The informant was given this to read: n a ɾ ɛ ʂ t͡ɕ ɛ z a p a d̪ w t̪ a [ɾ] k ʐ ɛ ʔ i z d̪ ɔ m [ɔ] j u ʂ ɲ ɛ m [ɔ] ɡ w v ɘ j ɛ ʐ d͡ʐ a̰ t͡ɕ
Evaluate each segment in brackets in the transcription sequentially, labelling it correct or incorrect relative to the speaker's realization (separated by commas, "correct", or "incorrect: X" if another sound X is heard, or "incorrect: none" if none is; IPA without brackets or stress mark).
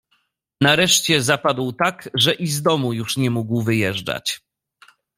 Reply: incorrect: none, incorrect: u, incorrect: u